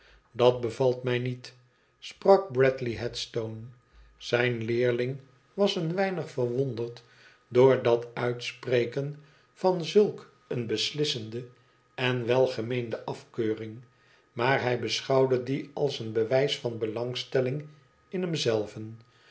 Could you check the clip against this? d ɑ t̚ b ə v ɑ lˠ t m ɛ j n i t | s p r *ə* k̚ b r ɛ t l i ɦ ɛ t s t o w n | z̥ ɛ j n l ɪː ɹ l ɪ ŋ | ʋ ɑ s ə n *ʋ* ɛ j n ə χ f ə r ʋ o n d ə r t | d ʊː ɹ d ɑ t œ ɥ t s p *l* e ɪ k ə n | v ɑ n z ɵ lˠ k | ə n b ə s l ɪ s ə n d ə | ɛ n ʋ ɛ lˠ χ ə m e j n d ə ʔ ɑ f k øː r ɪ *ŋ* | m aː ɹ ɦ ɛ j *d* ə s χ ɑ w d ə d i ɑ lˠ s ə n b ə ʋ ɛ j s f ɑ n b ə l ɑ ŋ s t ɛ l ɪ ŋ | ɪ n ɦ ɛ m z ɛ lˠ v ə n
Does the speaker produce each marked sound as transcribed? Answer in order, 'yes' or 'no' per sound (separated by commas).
no, yes, no, yes, no